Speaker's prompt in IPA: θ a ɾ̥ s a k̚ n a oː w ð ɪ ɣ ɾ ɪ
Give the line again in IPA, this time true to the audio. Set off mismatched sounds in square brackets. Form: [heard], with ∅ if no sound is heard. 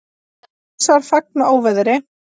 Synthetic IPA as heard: [s] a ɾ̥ [f] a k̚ n a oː w [v] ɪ [ð] ɾ ɪ